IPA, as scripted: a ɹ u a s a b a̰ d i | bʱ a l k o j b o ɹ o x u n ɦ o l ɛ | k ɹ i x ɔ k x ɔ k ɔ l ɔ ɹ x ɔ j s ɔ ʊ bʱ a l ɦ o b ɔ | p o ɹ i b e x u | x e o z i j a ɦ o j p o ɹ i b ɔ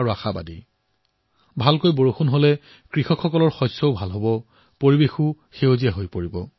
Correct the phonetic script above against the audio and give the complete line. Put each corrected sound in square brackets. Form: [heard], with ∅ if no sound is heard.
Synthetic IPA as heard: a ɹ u a [x] a b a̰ d i | bʱ a l k o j b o ɹ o x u n ɦ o l ɛ | k ɹ i x ɔ k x ɔ k ɔ l ɔ ɹ x ɔ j s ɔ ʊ bʱ a l ɦ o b ɔ | p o ɹ i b e x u | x e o z i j a ɦ o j p o ɹ i b ɔ